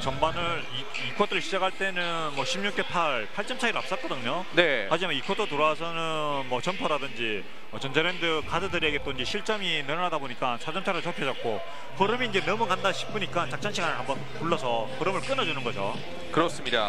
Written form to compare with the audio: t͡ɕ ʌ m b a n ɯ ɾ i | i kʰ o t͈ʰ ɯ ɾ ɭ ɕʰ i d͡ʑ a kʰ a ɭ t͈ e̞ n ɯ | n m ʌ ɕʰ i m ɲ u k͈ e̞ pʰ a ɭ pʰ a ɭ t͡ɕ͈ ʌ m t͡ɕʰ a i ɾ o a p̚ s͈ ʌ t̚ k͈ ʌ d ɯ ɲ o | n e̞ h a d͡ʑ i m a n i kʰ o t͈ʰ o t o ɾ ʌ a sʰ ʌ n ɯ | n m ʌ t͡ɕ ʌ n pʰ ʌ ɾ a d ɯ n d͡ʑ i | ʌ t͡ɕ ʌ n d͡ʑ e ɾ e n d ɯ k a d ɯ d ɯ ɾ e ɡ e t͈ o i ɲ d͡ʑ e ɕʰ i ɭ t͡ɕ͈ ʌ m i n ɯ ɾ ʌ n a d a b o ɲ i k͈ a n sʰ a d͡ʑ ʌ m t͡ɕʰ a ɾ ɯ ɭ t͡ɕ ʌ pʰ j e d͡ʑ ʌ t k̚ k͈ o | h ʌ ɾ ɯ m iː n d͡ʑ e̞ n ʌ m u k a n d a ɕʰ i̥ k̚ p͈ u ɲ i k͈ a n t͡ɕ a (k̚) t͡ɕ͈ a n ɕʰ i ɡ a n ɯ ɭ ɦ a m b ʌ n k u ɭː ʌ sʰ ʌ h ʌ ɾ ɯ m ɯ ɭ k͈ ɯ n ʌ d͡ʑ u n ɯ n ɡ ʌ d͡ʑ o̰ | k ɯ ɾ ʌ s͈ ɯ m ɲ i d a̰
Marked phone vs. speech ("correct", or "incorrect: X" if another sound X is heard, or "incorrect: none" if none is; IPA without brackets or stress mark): correct